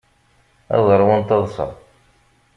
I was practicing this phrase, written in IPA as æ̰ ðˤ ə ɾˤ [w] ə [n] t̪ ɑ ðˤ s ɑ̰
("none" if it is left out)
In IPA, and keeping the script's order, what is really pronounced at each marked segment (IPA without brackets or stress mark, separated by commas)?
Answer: w, n